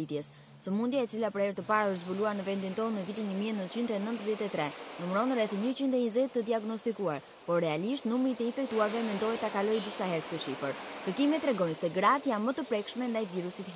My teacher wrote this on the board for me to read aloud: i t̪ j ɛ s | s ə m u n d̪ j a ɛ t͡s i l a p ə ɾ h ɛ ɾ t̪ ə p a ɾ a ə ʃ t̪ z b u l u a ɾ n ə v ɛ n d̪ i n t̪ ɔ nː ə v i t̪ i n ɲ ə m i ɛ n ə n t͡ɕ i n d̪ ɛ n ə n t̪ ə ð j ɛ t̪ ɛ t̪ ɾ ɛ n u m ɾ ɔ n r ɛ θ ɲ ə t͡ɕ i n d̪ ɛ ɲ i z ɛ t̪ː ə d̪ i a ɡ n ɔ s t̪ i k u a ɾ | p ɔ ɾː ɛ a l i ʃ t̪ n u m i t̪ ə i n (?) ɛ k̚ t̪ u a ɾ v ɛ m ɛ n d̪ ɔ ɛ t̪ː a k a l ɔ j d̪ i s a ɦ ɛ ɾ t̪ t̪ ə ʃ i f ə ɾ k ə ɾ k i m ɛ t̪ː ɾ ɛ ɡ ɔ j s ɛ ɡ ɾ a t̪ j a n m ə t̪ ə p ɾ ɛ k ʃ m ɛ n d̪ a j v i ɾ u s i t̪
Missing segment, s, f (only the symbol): f